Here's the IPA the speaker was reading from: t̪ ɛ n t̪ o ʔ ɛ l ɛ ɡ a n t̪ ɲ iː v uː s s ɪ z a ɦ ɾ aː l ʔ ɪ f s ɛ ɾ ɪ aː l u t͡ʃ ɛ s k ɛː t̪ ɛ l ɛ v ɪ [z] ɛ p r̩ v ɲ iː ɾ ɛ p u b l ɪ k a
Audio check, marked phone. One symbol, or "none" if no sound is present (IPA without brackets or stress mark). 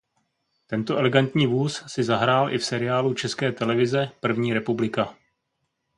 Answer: z